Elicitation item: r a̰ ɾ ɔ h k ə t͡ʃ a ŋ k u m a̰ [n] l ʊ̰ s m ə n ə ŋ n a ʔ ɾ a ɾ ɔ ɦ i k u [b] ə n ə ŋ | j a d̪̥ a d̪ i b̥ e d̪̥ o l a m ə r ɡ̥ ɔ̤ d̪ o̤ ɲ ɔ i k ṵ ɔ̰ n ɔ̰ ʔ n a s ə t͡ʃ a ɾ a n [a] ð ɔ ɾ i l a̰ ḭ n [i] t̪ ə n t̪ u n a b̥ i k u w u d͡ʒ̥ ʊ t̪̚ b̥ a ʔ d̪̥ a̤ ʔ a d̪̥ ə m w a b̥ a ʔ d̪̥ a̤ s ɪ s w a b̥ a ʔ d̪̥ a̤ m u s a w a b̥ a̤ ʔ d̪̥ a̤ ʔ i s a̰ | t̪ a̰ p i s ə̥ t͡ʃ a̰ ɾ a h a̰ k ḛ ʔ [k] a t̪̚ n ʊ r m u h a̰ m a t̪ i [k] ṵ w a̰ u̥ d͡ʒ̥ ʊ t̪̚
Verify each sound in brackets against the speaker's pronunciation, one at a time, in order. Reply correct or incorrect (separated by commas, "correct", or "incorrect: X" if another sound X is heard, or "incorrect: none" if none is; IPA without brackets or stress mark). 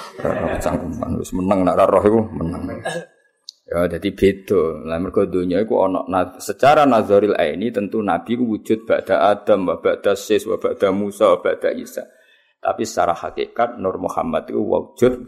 correct, incorrect: m, correct, correct, correct, correct